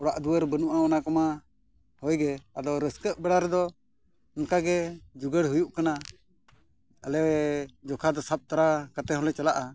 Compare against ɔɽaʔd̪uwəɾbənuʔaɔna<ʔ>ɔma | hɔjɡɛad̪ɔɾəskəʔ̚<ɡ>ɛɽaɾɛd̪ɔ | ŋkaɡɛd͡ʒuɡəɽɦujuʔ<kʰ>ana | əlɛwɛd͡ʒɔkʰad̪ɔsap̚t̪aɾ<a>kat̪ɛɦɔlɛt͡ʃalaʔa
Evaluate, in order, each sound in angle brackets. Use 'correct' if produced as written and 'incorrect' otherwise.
incorrect: k, incorrect: b, incorrect: k, correct

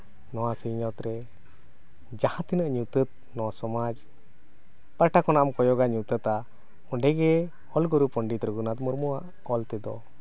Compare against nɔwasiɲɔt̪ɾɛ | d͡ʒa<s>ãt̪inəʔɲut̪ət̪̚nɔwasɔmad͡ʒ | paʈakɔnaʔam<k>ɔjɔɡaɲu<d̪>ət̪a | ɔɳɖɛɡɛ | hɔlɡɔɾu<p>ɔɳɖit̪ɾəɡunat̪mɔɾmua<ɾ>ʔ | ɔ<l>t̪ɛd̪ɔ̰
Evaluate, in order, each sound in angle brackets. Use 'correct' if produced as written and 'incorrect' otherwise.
incorrect: h, correct, incorrect: t̪, correct, incorrect: none, correct

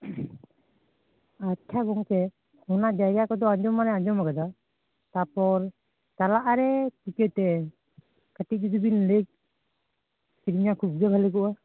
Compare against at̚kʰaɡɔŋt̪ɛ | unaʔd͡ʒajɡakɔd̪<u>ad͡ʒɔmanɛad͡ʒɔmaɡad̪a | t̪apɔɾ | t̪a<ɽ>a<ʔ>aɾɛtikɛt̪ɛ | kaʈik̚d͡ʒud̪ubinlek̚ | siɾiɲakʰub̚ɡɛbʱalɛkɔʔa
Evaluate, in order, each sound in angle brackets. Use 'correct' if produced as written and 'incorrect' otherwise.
incorrect: ɔ, incorrect: l, correct

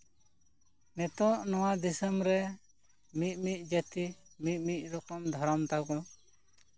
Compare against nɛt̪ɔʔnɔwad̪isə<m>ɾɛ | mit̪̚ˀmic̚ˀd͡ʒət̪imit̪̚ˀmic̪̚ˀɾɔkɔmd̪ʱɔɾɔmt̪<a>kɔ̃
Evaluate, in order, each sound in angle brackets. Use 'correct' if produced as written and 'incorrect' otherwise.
correct, correct

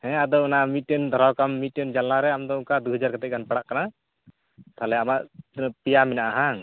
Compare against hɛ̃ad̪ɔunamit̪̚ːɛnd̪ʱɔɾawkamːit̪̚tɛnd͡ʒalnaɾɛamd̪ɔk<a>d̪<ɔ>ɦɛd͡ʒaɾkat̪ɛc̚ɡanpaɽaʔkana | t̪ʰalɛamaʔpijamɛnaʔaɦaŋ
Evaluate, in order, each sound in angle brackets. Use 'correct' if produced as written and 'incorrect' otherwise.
correct, incorrect: u

